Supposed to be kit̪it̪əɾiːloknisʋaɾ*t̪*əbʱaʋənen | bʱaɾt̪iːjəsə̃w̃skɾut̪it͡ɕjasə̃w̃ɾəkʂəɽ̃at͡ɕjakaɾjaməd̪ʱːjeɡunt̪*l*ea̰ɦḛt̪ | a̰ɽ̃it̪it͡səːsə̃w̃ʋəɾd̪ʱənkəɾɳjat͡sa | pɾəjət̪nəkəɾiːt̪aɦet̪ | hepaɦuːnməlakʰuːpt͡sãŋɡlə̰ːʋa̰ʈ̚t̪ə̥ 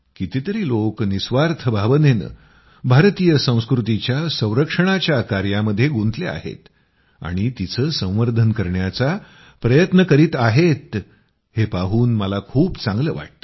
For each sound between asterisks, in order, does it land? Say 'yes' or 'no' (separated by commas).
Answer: no, yes